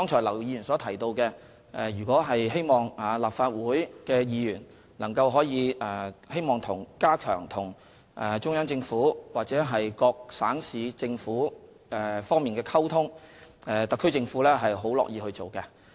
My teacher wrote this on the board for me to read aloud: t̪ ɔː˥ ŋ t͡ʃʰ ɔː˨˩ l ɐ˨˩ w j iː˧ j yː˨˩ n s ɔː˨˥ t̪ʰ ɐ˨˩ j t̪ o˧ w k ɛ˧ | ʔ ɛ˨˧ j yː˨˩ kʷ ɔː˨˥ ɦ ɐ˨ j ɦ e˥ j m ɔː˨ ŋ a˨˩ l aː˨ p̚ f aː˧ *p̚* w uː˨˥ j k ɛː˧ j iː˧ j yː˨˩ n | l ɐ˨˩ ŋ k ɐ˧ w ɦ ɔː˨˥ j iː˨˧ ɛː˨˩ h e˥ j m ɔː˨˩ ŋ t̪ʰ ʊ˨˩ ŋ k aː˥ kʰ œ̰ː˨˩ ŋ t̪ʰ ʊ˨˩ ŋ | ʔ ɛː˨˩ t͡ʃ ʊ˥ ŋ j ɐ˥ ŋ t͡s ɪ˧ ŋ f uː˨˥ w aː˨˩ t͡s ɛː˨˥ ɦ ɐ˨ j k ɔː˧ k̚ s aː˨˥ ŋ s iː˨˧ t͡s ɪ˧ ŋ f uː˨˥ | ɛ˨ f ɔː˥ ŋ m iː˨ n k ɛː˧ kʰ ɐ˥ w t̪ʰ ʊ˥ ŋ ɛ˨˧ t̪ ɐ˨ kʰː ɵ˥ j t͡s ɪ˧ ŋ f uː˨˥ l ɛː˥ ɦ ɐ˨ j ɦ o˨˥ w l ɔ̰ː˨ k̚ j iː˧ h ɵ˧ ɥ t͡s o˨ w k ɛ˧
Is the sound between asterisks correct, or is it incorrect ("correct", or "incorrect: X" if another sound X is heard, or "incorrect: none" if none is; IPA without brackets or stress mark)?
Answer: incorrect: t̚